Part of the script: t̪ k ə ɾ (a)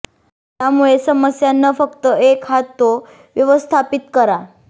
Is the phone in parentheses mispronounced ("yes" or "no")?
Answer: no